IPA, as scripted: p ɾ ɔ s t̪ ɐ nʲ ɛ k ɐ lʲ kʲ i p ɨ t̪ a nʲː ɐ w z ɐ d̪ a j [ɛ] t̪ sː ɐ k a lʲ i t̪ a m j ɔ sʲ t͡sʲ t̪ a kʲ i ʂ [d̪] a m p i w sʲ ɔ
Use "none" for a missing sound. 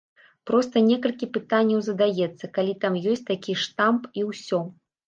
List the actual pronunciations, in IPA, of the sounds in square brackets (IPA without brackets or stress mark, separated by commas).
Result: ɛ, t̪